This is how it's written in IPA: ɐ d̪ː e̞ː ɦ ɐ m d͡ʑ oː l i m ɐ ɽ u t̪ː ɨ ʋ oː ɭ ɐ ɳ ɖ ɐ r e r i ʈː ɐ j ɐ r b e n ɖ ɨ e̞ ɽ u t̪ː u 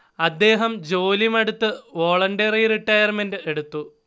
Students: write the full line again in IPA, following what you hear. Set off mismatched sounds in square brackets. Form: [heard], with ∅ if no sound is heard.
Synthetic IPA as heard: ɐ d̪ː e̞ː ɦ ɐ m d͡ʑ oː l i m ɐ ɽ u t̪ː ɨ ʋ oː ɭ ɐ ɳ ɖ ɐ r [i] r i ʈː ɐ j ɐ r [m] e n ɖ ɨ e̞ ɽ u t̪ː u